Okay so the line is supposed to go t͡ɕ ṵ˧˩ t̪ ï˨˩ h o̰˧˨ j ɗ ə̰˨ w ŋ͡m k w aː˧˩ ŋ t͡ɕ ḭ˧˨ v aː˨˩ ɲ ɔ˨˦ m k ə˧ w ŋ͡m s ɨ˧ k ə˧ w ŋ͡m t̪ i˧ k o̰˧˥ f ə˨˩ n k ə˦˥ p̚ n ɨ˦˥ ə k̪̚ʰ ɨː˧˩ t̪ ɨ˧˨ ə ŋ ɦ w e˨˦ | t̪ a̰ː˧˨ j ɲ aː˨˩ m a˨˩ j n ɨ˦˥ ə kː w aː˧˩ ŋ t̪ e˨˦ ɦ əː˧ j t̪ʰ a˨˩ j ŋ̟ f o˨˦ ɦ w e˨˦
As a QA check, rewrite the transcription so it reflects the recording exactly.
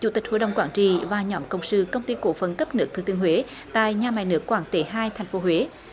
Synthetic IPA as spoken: t͡ɕ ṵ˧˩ t̪ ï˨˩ h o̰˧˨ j ɗ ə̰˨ w ŋ͡m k w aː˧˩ ŋ t͡ɕ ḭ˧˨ v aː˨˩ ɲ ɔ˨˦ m k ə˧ w ŋ͡m s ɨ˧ k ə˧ w ŋ͡m t̪ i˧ k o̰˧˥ f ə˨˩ n k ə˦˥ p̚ n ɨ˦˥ ə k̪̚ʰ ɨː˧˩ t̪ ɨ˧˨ ə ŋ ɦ w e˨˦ | t̪ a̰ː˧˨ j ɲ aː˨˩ m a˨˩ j n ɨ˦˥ ə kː w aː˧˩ ŋ t̪ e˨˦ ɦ aː˧ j t̪ʰ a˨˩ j ŋ̟ f o˨˦ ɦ w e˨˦